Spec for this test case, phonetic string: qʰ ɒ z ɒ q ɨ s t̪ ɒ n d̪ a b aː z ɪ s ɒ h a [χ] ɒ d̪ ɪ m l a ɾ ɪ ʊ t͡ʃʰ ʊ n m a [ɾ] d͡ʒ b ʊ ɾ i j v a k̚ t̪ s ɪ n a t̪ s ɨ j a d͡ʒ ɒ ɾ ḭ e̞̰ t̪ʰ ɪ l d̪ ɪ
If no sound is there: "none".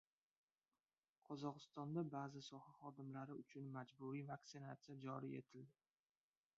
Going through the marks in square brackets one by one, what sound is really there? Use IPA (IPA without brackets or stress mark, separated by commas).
χ, none